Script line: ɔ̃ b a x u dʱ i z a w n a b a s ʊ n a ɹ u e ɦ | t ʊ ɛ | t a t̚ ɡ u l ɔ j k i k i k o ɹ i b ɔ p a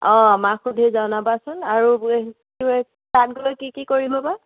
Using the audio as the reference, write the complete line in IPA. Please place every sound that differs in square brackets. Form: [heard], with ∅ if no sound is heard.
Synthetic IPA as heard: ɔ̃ [m] a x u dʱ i z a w n a b a s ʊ n a ɹ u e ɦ | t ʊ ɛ | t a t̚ ɡ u l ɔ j k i k i k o ɹ i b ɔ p a